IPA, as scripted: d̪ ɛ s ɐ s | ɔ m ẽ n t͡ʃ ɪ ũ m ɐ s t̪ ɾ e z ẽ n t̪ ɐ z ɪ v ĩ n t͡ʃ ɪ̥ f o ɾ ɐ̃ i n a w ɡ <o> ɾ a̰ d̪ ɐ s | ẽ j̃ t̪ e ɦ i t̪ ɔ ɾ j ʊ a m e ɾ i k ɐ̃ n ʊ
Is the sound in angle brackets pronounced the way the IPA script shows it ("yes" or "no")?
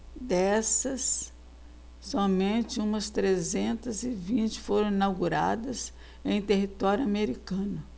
no